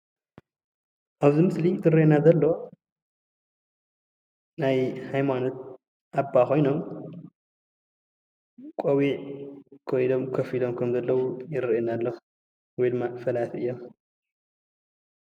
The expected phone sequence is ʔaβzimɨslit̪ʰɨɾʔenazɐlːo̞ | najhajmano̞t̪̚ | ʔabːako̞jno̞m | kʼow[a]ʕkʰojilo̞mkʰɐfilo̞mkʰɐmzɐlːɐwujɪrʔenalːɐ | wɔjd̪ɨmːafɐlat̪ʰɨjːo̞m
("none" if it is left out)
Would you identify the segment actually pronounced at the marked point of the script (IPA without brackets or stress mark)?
i